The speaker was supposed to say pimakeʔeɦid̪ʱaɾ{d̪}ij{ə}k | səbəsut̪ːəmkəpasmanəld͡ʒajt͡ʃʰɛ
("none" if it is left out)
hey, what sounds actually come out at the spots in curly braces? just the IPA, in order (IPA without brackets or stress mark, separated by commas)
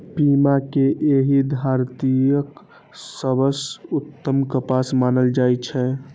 t̪, ə